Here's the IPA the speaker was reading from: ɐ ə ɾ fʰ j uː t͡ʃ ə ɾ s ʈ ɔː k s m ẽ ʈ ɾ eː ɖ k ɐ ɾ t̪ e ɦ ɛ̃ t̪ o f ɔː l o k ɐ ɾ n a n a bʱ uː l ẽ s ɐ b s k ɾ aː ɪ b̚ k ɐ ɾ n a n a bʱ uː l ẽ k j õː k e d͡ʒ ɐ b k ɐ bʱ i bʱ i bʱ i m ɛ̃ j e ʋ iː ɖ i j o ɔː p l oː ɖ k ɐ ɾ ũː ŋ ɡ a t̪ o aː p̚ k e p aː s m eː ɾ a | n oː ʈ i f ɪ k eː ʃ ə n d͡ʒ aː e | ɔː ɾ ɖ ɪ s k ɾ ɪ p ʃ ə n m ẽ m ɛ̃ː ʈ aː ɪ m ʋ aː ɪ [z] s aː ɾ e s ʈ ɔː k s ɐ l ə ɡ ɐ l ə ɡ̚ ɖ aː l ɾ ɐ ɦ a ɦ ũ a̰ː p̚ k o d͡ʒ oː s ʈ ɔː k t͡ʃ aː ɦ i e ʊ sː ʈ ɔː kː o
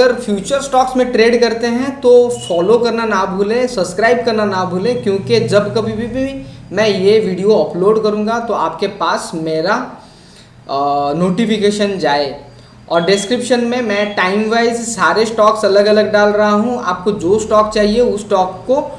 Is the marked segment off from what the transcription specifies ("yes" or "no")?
no